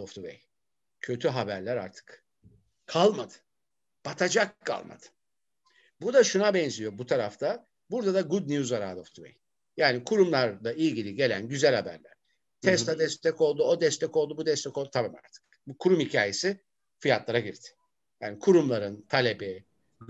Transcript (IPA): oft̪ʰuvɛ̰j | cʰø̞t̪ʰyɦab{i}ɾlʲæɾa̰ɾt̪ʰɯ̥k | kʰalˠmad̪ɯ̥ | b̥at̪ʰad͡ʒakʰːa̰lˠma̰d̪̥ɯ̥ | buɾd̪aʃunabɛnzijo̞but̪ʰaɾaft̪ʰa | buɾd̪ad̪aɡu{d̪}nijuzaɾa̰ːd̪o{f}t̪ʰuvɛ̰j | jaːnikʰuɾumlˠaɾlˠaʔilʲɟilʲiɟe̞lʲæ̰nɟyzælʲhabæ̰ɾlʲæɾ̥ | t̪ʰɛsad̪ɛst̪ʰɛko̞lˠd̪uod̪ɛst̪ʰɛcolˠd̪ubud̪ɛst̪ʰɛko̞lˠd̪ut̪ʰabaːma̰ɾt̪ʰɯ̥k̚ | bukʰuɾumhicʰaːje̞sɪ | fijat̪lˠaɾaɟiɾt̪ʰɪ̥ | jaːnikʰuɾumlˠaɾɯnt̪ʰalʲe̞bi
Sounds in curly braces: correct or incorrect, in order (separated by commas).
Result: incorrect, correct, correct